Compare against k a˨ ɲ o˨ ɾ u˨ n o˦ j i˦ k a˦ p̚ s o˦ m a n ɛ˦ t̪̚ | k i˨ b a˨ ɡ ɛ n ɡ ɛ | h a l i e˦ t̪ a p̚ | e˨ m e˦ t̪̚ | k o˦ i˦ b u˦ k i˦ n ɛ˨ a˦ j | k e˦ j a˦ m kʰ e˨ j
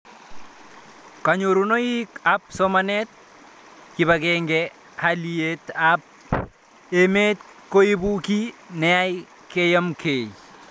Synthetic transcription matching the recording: k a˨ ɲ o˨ ɾ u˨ n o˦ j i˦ k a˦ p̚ s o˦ m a n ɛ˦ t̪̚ | k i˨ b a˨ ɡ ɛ ŋ ɡ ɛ | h a l i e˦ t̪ a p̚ | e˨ m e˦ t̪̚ | k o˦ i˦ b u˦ k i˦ n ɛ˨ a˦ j | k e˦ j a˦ m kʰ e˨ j